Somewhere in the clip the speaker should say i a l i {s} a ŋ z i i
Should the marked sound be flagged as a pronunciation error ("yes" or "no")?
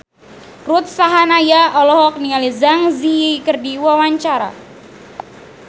yes